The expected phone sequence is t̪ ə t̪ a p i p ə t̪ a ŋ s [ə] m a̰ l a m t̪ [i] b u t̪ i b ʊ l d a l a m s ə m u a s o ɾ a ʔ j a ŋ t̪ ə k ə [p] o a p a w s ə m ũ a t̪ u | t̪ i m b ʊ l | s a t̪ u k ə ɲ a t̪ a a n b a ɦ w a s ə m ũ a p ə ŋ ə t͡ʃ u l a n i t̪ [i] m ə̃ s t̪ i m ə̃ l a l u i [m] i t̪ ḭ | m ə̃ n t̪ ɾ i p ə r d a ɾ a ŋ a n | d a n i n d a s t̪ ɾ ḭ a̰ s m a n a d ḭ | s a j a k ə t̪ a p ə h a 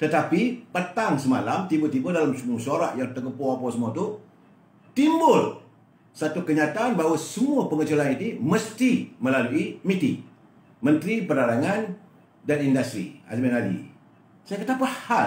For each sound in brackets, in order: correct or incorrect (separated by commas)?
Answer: correct, correct, correct, correct, correct